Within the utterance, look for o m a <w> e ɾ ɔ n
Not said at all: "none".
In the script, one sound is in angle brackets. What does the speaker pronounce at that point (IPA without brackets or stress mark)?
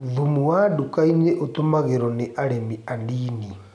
ɣ